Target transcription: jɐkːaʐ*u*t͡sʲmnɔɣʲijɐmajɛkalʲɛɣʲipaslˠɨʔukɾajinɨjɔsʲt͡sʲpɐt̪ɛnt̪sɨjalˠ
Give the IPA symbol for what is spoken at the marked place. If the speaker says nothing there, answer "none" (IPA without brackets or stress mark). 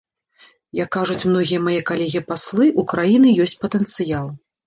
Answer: u